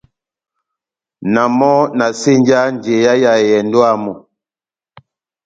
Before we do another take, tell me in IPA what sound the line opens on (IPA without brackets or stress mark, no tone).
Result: n